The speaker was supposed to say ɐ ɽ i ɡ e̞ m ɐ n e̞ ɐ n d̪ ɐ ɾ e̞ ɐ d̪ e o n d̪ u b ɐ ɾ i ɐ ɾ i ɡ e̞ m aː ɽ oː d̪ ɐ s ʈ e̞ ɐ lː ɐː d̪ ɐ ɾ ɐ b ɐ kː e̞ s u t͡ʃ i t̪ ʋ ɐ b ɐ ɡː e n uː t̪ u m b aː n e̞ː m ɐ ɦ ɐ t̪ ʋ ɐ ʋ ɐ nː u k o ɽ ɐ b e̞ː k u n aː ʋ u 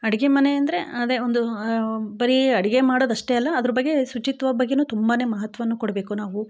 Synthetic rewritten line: ɐ ɽ i ɡ e̞ m ɐ n e̞ ɐ n d̪ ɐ ɾ e̞ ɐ d̪ e o n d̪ u b ɐ ɾ i ɐ ɽ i ɡ e̞ m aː ɽ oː d̪ ɐ ʂ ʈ e̞ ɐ lː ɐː d̪ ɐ ɾ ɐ b ɐ ɡː e̞ s u t͡ʃ i t̪ ʋ ɐ b ɐ ɡː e n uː t̪ u m b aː n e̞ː m ɐ ɦ ɐ t̪ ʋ ɐ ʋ ɐ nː u k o ɽ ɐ b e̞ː k u n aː ʋ u